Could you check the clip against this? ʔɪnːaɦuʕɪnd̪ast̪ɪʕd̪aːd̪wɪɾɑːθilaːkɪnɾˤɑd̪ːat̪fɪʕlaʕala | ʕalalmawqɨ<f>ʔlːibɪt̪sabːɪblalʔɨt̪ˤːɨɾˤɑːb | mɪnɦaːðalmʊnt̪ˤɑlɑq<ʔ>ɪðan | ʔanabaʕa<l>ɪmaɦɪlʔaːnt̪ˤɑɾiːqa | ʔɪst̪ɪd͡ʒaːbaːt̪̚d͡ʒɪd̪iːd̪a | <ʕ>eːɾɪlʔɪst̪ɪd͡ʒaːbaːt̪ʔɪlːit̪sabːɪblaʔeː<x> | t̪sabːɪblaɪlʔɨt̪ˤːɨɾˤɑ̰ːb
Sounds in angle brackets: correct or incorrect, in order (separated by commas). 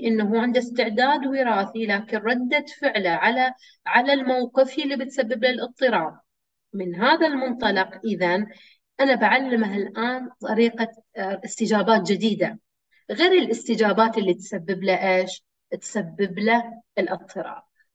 correct, correct, incorrect, incorrect, incorrect